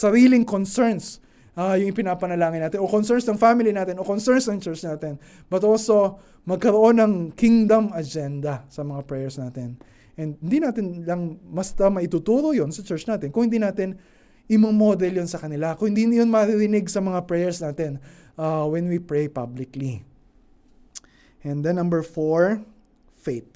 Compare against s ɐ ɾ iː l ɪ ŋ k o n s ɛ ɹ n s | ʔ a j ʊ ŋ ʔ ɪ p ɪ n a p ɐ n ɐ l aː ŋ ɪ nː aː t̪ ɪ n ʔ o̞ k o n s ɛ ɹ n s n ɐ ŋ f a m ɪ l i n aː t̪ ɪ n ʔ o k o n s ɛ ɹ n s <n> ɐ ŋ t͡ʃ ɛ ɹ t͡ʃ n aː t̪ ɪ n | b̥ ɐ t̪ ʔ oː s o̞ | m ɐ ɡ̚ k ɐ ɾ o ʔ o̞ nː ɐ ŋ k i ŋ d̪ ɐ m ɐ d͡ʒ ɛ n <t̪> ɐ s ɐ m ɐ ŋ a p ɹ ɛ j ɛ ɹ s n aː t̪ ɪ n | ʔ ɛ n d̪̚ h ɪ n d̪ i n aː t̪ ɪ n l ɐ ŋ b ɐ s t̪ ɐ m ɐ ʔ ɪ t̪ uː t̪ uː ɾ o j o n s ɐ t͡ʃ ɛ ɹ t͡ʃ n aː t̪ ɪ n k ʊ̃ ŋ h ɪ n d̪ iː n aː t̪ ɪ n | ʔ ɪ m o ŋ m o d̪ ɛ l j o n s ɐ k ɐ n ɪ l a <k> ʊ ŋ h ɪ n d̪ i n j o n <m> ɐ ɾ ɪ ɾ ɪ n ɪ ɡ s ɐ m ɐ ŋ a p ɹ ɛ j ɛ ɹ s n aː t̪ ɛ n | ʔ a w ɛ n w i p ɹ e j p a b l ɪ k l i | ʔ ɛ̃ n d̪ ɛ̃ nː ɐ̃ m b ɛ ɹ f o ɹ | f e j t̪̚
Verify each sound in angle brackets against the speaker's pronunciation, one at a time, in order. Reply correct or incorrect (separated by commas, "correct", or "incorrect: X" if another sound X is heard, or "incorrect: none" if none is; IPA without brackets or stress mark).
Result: correct, incorrect: d̪, correct, correct